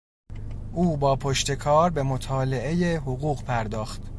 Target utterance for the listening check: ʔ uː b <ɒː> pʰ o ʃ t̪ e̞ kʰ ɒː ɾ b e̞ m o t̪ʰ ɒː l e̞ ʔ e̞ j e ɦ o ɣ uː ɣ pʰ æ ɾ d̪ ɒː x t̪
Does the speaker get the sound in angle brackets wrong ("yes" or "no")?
no